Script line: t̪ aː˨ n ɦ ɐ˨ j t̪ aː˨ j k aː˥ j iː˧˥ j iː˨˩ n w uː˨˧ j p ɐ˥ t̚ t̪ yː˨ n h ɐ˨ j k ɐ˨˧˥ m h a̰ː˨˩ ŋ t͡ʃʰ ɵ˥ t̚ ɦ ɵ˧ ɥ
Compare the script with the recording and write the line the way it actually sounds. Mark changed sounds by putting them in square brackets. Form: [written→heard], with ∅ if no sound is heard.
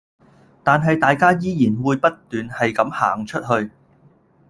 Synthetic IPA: t̪ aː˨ n ɦ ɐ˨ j t̪ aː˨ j k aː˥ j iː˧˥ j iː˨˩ n w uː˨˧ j p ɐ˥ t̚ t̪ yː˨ n h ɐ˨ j k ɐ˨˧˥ m h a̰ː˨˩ ŋ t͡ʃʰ ɵ˥ t̚ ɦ ɵ˧ ɥ

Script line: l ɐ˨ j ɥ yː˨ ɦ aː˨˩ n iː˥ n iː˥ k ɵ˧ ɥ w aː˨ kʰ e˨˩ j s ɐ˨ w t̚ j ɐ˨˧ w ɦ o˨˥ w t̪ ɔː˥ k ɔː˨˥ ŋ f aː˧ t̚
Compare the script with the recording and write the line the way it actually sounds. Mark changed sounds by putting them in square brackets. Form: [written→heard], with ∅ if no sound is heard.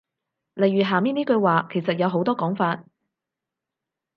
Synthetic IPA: l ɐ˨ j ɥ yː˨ ɦ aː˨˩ [n→m] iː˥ n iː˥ k ɵ˧ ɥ w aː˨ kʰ e˨˩ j s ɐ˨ [w→∅] t̚ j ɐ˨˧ w ɦ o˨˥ w t̪ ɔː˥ k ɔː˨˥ ŋ f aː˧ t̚

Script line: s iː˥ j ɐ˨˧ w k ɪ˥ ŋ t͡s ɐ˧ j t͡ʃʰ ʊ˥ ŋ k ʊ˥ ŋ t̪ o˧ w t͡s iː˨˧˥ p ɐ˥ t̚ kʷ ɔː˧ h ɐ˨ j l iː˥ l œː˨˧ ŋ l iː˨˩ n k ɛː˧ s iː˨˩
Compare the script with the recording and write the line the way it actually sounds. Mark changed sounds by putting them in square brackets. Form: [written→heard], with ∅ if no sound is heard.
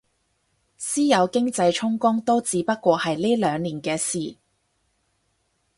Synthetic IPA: s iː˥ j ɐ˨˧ w k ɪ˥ ŋ t͡s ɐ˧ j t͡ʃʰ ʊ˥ ŋ k ʊ˥ ŋ t̪ [o˧→o˥] w t͡s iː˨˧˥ p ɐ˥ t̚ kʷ ɔː˧ h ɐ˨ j l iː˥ l œː˨˧ ŋ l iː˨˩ n k ɛː˧ s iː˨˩

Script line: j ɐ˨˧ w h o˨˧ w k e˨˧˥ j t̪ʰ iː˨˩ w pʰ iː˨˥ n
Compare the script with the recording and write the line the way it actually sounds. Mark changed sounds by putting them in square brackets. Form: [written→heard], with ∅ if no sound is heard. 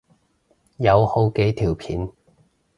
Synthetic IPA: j ɐ˨˧ w h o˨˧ w k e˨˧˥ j t̪ʰ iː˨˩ w pʰ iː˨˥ n

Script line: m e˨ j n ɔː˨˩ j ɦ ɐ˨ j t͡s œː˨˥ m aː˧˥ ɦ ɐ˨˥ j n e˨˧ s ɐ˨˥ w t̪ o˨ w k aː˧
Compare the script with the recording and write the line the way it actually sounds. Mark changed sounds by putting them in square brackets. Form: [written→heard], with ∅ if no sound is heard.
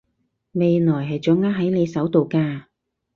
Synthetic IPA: m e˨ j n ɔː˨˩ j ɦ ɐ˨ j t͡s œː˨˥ [m→ŋ] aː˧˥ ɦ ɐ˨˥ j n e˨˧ s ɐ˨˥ w t̪ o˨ w k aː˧

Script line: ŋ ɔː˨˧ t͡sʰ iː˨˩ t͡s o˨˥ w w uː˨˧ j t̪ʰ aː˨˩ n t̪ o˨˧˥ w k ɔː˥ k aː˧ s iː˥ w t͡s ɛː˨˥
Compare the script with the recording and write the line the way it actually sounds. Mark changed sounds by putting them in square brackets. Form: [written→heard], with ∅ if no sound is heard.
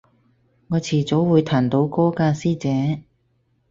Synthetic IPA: ŋ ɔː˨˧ t͡sʰ iː˨˩ t͡s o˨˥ w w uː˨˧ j t̪ʰ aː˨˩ n t̪ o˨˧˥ w k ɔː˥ k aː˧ s iː˥ [w→∅] t͡s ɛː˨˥

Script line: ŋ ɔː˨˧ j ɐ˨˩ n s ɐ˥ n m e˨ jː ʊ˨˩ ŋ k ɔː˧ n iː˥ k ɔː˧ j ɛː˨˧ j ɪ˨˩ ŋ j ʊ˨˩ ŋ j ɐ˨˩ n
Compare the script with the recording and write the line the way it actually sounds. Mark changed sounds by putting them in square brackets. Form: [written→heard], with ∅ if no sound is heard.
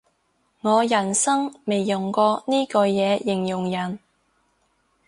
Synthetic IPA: ŋ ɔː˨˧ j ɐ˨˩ n s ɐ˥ [n→ŋ] m e˨ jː ʊ˨˩ ŋ k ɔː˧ n iː˥ k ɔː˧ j ɛː˨˧ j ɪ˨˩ ŋ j ʊ˨˩ ŋ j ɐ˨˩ n

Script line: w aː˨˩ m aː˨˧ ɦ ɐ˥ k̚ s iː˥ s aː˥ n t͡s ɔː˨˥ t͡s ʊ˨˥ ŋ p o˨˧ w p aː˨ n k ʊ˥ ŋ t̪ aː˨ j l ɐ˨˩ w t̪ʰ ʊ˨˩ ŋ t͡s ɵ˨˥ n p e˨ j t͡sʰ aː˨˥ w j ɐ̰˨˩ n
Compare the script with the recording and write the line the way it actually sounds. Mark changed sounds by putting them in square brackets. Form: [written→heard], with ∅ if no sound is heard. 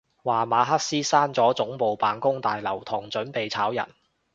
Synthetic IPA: w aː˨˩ m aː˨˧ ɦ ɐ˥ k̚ s iː˥ s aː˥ n t͡s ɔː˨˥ t͡s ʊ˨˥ ŋ p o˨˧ w p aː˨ n k ʊ˥ ŋ t̪ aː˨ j l ɐ˨˩ w t̪ʰ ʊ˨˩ ŋ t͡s ɵ˨˥ n p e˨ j t͡sʰ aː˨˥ w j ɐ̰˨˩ n

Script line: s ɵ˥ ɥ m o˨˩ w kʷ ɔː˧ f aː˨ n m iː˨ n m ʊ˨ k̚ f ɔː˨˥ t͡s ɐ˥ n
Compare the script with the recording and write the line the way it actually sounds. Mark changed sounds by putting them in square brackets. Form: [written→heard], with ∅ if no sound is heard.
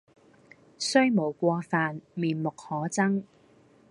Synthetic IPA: s ɵ˥ ɥ m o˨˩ w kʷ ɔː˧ f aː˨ n m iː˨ n m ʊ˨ k̚ [f→h] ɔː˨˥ t͡s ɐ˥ [n→ŋ]

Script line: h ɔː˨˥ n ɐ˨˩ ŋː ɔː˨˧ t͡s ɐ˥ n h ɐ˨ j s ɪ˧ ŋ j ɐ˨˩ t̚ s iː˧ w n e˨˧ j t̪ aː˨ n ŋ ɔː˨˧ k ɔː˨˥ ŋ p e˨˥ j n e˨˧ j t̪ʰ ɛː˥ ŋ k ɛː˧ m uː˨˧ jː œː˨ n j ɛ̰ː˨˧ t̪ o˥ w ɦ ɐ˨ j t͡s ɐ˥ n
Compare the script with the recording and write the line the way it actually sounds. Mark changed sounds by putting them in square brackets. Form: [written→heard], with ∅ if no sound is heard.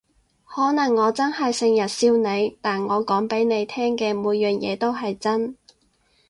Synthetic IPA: h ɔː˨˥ n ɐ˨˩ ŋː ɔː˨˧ t͡s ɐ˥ n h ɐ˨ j s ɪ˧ ŋ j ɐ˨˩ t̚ s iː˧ w n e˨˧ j t̪ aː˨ n ŋ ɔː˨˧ k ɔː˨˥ ŋ p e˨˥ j n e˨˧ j t̪ʰ ɛː˥ ŋ k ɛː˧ m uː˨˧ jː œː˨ n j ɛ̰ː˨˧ t̪ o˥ w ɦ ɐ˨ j t͡s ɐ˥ n

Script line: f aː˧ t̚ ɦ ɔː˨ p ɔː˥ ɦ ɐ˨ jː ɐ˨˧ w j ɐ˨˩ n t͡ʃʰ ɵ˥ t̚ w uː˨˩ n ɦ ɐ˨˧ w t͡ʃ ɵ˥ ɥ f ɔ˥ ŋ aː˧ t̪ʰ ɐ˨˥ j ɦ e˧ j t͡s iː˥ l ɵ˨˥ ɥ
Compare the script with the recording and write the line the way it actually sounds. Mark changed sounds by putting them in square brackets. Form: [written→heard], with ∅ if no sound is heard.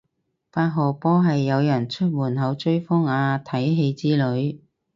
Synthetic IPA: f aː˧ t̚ ɦ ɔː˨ p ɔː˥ ɦ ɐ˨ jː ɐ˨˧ w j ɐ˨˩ n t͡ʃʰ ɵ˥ t̚ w uː˨˩ n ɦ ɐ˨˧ w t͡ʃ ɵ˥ ɥ f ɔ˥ ŋ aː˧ t̪ʰ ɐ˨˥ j ɦ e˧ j t͡s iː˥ l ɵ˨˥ ɥ

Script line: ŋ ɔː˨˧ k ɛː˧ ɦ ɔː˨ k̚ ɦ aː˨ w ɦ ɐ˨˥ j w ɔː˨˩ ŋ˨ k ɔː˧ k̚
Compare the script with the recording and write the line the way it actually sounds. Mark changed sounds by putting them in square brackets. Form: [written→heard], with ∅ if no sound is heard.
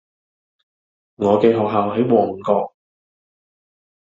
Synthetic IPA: ŋ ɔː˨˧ k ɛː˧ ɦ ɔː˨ k̚ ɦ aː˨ w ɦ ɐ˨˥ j w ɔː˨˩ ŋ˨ k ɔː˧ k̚

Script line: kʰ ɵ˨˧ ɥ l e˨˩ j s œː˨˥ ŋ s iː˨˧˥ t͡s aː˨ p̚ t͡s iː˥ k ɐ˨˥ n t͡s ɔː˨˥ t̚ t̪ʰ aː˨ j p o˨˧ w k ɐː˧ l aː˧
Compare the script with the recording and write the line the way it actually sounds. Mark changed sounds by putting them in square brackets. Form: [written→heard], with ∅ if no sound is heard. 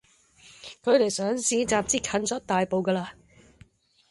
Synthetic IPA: kʰ ɵ˨˧ ɥ l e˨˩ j s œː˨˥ ŋ s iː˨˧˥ t͡s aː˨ p̚ t͡s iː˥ [k→kʰ] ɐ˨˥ n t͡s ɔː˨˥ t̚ [t̪ʰ→t̪] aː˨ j p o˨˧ w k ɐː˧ l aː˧

